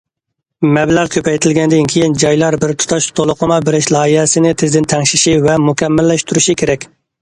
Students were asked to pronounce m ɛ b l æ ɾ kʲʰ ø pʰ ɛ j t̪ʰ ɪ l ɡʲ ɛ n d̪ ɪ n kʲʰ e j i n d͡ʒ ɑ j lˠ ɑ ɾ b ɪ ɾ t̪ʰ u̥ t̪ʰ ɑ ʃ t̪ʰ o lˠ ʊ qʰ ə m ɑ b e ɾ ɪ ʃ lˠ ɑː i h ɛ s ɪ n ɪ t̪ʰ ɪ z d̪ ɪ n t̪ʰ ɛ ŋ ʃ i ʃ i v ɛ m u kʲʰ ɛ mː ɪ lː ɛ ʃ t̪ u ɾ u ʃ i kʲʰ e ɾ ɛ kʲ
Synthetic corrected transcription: m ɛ b l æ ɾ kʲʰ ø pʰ ɛ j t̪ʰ ɪ l ɡʲ ɛ n d̪ ɪ n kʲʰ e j i n d͡ʒ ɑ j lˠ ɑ ɾ b ɪ ɾ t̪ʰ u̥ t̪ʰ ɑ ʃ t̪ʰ o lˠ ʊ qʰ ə m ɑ b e ɾ ɪ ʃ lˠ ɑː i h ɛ s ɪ n ɪ t̪ʰ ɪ z d̪ ɪ n t̪ʰ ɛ ŋ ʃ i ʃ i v ɛ m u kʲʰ ɛ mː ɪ lː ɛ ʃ t̪ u ɾ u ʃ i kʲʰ e ɾ ɛ kʲ

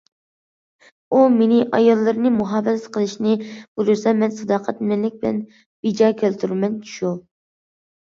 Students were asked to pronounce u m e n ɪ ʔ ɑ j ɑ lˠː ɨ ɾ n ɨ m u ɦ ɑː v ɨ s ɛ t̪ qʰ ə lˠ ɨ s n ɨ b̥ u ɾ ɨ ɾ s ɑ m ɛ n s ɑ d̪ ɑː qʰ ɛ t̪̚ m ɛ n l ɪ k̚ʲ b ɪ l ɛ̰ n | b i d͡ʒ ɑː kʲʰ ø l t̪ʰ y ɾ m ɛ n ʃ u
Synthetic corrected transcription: u m e n ɪ ʔ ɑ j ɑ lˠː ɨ ɾ n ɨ m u ɦ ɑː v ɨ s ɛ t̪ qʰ ə lˠ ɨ ʃ n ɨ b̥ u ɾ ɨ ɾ s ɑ m ɛ n s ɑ d̪ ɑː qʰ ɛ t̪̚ m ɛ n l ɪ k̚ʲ b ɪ l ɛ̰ n | b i d͡ʒ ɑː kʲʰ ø l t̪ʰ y ɾ m ɛ n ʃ u

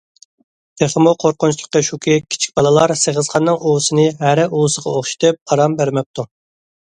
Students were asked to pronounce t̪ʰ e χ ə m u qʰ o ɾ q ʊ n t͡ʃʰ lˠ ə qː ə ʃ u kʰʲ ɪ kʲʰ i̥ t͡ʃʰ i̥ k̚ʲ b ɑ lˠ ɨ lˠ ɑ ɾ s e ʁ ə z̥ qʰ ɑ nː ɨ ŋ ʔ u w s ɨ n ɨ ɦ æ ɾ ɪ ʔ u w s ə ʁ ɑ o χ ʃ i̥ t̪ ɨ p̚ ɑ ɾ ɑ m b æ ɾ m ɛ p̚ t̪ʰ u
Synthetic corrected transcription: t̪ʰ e χ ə m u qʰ o ɾ q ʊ n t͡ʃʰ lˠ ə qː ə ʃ u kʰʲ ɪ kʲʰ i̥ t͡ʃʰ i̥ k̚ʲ b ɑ lˠ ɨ lˠ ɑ ɾ s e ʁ ə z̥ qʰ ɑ nː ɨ ŋ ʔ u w s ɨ n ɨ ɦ æ ɾ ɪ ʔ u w s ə ʁ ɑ o χ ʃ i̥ t̪ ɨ p̚ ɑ ɾ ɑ m b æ ɾ m ɛ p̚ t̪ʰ u

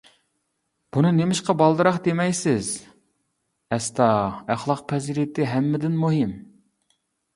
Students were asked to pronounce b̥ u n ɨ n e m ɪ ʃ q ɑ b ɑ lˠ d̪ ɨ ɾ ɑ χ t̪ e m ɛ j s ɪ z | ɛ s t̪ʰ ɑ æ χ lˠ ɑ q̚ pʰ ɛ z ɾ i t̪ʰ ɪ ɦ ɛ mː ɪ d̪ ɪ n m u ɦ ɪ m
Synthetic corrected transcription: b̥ u n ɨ n e m ɪ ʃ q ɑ b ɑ lˠ d̪ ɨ ɾ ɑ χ d̪ e m ɛ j s ɪ z | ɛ s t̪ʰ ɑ æ χ lˠ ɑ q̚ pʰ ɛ z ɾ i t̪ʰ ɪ ɦ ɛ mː ɪ d̪ ɪ n m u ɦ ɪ m

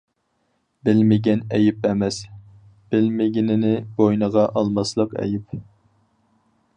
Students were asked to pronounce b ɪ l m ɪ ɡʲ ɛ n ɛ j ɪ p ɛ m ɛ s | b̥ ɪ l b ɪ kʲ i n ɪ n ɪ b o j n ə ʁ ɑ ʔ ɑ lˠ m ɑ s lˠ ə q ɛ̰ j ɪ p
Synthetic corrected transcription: b ɪ l m ɪ ɡʲ ɛ n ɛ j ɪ p ɛ m ɛ s | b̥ ɪ l m ɪ ɡʲ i n ɪ n ɪ b o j n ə ʁ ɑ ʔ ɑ lˠ m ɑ s lˠ ə q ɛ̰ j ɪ p

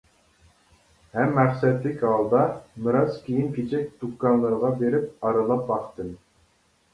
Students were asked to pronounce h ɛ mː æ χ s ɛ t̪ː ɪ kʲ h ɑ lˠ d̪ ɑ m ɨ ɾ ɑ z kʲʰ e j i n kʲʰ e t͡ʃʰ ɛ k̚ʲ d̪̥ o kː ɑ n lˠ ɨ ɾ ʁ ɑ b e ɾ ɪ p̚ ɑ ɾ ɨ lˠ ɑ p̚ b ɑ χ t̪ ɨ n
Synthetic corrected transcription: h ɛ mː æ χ s ɛ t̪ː ɪ kʲ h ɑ lˠ d̪ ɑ m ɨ ɾ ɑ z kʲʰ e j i n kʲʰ e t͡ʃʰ ɛ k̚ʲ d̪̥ u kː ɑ n lˠ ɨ ɾ ʁ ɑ b e ɾ ɪ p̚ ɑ ɾ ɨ lˠ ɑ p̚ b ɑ χ t̪ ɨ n

